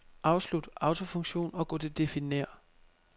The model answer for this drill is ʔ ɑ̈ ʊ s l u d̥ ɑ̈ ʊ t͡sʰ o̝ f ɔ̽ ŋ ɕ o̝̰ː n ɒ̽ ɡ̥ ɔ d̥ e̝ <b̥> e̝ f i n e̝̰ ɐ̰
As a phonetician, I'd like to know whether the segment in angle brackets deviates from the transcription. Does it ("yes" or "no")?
yes